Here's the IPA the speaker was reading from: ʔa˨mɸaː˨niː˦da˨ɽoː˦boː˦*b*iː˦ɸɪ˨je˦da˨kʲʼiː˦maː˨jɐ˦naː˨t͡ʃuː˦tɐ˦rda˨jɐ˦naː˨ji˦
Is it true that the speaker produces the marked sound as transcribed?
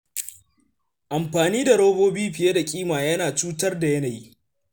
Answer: yes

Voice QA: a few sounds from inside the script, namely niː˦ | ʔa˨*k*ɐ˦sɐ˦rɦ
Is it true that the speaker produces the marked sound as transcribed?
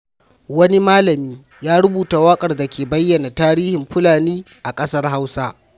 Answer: no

